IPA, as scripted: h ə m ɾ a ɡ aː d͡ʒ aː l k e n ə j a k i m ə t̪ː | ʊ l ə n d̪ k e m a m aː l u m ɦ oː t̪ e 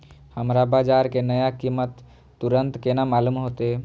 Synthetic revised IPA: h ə m ɾ a b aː d͡ʒ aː ɾ k e n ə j a k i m ə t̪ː | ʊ ɾ ə n t̪ k e n a m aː l u m ɦ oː t̪ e